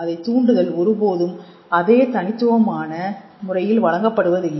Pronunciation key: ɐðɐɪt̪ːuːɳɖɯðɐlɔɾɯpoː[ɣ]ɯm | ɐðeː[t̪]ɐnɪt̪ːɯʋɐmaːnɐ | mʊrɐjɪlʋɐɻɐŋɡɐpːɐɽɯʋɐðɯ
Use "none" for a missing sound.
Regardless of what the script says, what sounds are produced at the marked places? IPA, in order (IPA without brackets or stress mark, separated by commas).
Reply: ð, t̪